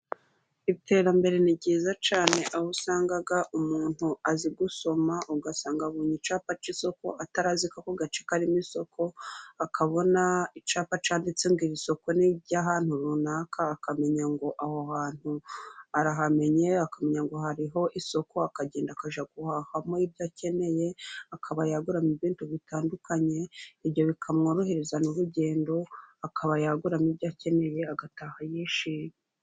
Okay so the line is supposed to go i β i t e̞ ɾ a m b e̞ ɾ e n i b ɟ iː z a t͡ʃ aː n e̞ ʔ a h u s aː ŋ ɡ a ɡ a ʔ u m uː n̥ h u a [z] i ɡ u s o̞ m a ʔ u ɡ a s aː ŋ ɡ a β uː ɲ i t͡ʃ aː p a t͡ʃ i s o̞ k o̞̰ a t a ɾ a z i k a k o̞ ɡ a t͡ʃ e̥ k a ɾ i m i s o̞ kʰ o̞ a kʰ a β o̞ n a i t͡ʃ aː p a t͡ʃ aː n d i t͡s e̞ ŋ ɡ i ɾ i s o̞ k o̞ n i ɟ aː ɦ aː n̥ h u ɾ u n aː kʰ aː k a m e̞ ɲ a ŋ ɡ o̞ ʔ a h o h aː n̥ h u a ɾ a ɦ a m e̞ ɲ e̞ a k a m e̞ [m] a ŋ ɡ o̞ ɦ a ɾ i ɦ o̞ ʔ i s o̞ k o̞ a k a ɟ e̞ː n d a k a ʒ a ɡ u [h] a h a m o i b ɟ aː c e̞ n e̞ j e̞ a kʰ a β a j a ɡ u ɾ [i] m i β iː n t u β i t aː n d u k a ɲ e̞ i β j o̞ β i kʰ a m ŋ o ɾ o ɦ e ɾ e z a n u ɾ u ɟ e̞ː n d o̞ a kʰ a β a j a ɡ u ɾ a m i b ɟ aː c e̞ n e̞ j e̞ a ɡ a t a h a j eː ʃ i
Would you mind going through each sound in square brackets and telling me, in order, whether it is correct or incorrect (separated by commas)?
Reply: correct, incorrect, correct, incorrect